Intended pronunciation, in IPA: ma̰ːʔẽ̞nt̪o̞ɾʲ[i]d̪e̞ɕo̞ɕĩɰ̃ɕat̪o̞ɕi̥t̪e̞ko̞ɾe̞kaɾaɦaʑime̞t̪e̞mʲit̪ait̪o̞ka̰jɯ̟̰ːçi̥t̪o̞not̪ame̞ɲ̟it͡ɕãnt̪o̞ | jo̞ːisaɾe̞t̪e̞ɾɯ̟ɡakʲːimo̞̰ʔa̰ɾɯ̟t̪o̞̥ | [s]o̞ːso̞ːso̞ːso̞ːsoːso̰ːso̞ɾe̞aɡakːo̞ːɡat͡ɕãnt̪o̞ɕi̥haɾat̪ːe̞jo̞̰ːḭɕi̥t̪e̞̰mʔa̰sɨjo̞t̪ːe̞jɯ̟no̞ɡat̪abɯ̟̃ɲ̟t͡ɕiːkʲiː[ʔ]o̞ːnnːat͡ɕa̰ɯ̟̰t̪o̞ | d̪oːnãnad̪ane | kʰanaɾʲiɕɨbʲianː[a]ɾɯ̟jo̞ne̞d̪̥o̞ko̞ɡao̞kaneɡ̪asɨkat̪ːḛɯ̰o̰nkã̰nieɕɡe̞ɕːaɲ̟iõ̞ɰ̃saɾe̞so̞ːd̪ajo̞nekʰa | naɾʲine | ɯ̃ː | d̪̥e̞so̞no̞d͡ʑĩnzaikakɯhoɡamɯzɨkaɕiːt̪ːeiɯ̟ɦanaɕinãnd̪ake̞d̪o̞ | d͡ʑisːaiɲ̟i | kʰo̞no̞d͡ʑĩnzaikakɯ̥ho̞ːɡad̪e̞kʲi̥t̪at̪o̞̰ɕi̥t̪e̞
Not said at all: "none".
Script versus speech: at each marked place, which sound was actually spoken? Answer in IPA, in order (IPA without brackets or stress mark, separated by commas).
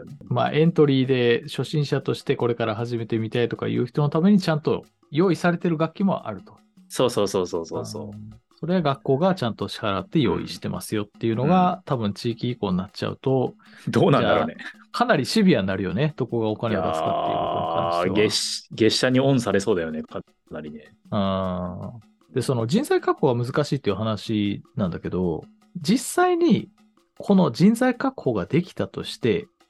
iː, s, k, a